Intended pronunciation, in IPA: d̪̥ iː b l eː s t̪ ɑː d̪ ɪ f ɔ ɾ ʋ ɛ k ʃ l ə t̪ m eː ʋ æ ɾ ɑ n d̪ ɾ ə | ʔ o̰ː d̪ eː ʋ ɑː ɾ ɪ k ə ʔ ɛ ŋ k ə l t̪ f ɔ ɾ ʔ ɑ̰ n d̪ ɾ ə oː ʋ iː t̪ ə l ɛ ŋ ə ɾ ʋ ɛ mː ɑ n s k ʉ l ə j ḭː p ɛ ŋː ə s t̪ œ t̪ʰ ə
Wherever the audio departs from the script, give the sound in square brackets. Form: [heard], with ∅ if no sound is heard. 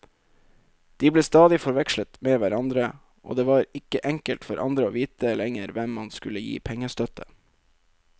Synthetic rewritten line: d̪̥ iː b l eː s t̪ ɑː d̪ ɪ f ɔ ɾ ʋ ɛ k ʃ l ə t̪ m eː ʋ æ ɾ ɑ n d̪ ɾ ə | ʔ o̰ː d̪ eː ʋ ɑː ɾ ɪ k ə ʔ ɛ ŋ k ə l t̪ f ɔ ɾ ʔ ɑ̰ n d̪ ɾ ə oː ʋ iː t̪ ə l ɛ ŋ ə ɾ ʋ ɛ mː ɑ n s k ʉ l ə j ḭː [pʰ] ɛ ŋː ə s t̪ œ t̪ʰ ə